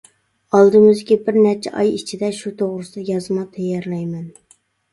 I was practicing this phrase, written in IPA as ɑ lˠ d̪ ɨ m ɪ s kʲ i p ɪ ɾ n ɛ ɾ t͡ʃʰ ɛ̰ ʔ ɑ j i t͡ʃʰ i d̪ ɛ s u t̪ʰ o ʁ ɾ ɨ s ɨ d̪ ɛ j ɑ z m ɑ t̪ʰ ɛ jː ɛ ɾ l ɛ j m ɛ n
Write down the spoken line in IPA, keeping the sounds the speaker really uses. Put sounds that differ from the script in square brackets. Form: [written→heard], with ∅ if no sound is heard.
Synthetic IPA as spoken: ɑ lˠ d̪ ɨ m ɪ [s→z] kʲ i [p→b] ɪ ɾ n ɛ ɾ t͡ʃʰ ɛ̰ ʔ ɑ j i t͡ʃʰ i d̪ ɛ [s→ʃ] u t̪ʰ o ʁ ɾ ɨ s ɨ d̪ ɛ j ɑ z m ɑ t̪ʰ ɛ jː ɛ ɾ l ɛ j m ɛ n